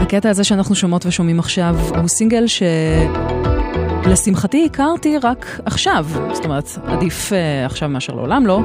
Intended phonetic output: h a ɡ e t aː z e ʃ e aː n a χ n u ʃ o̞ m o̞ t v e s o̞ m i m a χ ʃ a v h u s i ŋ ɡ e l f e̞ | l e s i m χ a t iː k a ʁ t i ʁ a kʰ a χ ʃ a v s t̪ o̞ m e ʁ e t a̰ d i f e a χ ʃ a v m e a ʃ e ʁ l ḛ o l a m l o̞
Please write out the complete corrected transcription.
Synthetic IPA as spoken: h a k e t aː z e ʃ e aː n a χ n u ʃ o̞ m o̞ t v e ʃ o̞ m i m a χ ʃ a v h u s i ŋ ɡ e l ʃ e̞ | l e s i m χ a t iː k a ʁ t i ʁ a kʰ a χ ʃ a v s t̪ o̞ m e ʁ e t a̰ d i f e a χ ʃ a v m e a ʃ e ʁ l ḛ o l a m l o̞